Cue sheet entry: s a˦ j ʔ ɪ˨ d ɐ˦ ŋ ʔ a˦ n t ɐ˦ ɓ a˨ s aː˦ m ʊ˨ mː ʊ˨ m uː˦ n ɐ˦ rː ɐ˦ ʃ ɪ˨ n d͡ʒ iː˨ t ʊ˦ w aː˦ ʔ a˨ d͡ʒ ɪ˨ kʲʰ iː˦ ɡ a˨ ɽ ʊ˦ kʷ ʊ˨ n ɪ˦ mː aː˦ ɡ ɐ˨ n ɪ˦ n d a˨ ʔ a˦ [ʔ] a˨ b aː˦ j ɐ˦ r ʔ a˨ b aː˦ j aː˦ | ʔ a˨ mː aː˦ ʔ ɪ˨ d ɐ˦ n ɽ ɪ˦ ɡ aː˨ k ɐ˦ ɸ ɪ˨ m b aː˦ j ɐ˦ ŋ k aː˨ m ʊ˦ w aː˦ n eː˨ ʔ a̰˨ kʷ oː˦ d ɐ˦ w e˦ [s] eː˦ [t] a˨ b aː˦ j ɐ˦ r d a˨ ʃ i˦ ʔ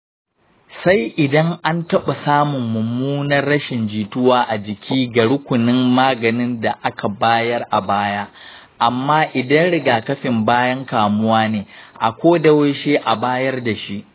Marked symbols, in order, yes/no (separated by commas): no, no, no